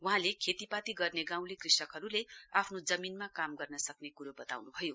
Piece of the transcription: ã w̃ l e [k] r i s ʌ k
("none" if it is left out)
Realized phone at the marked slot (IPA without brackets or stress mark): k